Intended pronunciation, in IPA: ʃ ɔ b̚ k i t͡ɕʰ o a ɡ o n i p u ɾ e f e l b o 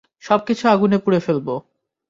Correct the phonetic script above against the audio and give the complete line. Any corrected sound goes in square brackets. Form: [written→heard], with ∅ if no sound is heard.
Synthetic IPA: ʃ ɔ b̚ k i t͡ɕʰ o a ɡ [o→u] n [i→e] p u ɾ e f e l b o